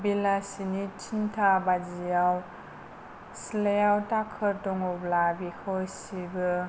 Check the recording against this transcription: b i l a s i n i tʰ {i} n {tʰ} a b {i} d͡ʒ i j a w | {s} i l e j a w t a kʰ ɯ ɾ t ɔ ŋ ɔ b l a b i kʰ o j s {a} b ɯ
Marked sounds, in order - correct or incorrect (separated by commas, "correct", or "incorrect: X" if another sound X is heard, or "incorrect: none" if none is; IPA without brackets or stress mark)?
correct, correct, incorrect: a, correct, incorrect: i